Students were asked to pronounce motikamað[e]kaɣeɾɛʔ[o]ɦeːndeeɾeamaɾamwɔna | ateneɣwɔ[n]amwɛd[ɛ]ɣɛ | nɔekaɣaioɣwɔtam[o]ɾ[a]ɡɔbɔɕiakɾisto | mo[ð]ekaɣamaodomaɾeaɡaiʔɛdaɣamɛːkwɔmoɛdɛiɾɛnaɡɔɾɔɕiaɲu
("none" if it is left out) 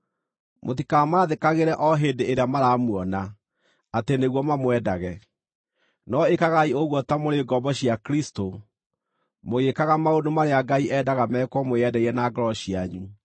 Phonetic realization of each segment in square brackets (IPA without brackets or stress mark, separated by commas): e, ɔ, m, a, o, e, ɣ